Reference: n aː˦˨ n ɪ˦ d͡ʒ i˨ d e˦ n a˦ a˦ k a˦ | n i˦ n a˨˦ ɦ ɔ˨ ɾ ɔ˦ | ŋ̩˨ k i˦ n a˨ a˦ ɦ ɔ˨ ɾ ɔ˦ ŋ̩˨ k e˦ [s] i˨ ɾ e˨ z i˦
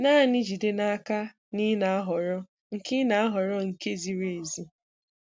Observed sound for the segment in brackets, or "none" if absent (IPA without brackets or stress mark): z